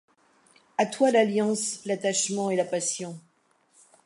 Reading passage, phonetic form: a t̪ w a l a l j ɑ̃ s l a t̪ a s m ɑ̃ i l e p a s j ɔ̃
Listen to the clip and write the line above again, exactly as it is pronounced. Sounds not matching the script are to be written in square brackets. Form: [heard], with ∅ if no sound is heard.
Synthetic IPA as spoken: a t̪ w a l a l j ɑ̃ s l a t̪ a [ʃ] m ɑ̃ [e] l [a] p a s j ɔ̃